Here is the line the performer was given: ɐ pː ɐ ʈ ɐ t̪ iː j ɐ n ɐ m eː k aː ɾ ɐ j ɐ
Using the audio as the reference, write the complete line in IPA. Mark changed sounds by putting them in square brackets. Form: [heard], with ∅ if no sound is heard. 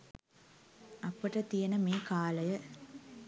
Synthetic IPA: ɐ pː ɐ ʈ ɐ t̪ [i] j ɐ n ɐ m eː k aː [l] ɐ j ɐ

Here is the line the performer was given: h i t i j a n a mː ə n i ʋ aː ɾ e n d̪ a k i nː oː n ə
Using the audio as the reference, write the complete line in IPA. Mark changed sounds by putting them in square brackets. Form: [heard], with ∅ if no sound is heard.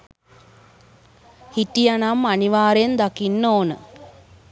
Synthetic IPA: h i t i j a n a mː [a] n i ʋ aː ɾ e n d̪ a k i nː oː n ə

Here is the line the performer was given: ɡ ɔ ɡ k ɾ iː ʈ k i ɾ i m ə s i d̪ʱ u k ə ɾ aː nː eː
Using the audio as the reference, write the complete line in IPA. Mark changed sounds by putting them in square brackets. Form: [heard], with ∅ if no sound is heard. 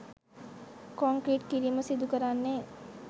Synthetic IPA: [k] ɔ [ŋ] k ɾ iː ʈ k i ɾ i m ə s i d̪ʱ u k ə ɾ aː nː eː

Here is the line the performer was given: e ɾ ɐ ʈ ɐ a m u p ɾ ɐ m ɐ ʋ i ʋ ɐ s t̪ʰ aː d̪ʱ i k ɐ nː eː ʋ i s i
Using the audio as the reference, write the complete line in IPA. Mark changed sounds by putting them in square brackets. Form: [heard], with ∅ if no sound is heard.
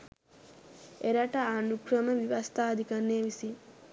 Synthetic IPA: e ɾ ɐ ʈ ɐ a [n] u [k] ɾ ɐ m ɐ ʋ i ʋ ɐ s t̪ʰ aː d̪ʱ i k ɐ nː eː ʋ i s i

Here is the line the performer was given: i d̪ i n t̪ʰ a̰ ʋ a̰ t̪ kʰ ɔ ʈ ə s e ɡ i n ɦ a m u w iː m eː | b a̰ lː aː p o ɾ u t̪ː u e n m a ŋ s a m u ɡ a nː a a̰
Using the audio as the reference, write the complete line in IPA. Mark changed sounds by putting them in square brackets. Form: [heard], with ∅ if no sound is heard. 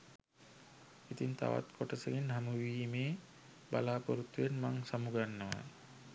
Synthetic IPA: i [t̪] i n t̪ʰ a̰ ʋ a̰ t̪ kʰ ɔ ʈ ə s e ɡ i n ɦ a m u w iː m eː | b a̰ [l] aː p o ɾ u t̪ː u e n m a ŋ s a m u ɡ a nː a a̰

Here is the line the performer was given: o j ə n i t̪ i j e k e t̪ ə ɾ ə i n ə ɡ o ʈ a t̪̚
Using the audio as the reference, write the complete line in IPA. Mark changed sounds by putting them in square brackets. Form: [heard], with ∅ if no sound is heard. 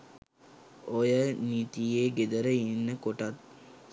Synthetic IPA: o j ə n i t̪ i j e [ɡ] e [d̪] ə ɾ ə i [nː] ə [k] o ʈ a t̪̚

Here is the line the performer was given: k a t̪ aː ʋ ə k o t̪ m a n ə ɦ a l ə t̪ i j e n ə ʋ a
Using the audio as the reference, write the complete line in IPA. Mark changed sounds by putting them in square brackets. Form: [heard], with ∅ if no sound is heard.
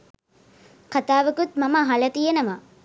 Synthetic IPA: k a t̪ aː ʋ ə k [u] t̪ m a [m] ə ɦ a l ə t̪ i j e n ə ʋ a

